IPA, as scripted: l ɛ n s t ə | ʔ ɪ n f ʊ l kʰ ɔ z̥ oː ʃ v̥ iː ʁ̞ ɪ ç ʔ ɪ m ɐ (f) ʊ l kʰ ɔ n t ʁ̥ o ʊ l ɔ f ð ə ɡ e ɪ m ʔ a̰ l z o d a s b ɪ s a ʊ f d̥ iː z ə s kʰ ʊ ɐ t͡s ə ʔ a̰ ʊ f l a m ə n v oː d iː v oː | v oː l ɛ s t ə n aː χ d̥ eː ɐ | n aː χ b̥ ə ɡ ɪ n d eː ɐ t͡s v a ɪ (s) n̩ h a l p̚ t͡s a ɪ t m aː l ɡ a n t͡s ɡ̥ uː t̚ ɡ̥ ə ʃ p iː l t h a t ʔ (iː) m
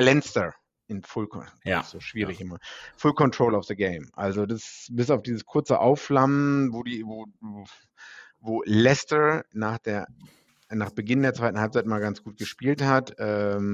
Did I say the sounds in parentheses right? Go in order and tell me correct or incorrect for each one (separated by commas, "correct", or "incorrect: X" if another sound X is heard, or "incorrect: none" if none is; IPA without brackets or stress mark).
correct, incorrect: t, incorrect: ɛː